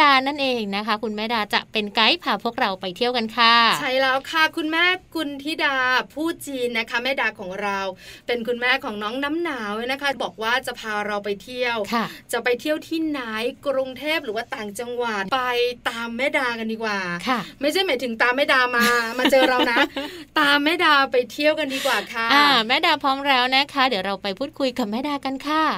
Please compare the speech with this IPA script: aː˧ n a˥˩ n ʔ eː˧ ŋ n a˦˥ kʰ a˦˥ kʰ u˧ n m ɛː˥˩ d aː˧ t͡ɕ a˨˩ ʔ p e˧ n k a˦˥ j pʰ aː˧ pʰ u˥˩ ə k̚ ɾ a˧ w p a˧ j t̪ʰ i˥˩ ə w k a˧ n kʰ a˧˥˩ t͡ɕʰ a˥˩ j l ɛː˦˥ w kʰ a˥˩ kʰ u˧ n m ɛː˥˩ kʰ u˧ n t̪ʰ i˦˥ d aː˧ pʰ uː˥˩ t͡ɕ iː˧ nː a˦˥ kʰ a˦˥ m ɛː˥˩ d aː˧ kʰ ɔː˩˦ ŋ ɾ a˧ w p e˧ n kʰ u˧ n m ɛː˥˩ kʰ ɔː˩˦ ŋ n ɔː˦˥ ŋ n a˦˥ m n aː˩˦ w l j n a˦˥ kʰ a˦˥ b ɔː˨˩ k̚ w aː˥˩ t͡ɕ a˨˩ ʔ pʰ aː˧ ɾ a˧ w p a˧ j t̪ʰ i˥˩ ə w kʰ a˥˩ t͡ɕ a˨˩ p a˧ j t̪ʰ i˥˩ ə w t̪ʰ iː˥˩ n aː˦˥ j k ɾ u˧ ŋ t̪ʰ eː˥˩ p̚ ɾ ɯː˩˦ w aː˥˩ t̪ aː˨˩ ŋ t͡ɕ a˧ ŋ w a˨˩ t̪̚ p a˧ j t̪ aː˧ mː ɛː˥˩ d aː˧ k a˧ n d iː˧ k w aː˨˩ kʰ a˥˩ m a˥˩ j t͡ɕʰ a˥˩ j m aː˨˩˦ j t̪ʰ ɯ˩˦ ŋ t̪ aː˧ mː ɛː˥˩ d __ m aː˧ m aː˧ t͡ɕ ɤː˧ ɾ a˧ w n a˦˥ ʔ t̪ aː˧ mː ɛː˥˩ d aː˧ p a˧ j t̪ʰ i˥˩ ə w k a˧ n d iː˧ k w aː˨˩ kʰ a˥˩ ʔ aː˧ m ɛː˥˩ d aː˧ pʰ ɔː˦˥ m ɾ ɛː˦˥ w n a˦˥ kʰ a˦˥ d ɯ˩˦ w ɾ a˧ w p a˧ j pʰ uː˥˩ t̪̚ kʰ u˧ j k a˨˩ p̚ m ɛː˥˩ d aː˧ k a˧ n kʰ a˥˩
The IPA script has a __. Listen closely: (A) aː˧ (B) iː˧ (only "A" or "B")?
A